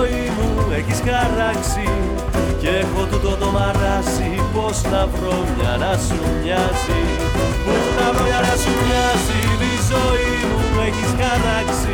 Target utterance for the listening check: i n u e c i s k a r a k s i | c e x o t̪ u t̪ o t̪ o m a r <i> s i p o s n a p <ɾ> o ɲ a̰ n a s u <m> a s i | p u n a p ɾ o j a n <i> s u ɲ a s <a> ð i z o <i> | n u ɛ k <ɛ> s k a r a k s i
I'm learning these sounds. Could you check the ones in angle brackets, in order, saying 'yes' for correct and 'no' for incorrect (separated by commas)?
no, yes, no, no, no, yes, no